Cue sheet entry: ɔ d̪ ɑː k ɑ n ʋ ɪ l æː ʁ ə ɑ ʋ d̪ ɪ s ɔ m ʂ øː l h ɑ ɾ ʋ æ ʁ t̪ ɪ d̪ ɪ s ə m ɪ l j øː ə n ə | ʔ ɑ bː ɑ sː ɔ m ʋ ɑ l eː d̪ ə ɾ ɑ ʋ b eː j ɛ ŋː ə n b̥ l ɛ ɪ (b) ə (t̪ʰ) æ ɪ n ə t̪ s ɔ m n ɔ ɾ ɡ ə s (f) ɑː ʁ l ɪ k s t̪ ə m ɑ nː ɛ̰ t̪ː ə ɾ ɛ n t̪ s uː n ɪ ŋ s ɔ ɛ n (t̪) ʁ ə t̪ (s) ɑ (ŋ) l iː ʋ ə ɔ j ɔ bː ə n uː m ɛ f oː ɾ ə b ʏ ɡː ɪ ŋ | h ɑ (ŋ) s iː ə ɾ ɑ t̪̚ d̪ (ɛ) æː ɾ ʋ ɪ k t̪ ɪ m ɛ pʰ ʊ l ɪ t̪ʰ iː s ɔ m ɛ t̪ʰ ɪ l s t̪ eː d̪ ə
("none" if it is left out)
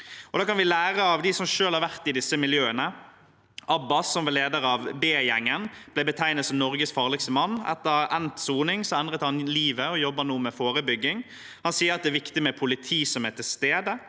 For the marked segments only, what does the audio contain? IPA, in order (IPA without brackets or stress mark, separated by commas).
b, t̪ʰ, f, d̪, h, n, n, ɛ